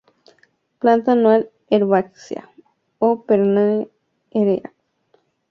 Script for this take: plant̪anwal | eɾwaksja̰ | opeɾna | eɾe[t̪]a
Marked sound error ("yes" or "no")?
yes